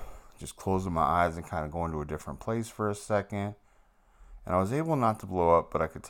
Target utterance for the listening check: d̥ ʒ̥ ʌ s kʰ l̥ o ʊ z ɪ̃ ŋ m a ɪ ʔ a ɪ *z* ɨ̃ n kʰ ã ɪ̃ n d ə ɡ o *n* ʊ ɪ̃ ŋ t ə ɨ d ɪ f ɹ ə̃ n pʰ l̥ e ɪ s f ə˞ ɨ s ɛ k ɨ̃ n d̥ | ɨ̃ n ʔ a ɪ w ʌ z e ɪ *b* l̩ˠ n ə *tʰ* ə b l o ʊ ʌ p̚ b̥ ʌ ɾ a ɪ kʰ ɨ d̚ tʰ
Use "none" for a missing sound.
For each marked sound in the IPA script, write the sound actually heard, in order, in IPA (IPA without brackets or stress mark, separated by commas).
z, none, b, tʰ